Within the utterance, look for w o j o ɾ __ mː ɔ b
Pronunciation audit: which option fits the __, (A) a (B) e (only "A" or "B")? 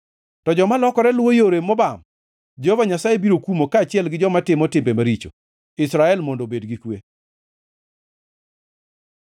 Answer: B